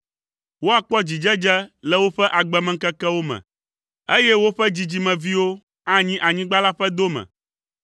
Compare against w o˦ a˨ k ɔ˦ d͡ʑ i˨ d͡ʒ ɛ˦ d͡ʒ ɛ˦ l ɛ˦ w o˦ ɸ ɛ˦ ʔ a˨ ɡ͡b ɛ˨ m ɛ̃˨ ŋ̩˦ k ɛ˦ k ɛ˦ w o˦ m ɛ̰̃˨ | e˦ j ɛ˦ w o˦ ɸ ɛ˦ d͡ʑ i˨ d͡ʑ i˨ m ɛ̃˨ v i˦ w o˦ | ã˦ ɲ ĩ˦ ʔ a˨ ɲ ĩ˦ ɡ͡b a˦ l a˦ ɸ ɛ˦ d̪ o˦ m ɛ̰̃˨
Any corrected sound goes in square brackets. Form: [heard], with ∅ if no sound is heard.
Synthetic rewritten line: w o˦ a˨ [k͡p] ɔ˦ d͡ʑ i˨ d͡ʒ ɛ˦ d͡ʒ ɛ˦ l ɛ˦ w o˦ ɸ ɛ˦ ʔ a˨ ɡ͡b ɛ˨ m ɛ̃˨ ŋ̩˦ k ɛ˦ k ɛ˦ w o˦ m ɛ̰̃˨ | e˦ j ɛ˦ w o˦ ɸ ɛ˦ d͡ʑ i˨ d͡ʑ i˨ m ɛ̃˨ v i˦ w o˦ | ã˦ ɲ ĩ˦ ʔ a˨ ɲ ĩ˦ ɡ͡b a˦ l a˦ ɸ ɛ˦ d̪ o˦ m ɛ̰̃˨